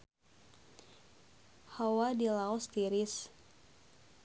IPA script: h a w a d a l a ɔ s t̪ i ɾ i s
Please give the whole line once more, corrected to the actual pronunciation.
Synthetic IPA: h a w a d i l a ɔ s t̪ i ɾ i s